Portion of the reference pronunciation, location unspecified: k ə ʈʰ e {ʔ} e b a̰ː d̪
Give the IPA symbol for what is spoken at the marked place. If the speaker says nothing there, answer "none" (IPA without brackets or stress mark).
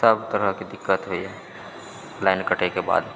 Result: k